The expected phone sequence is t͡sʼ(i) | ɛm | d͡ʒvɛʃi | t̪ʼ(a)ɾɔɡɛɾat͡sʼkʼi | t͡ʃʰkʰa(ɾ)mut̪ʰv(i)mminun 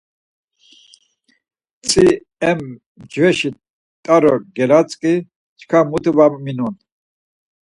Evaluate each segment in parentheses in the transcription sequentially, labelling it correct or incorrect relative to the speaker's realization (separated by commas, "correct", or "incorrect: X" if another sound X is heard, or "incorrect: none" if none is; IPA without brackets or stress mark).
correct, correct, incorrect: none, incorrect: a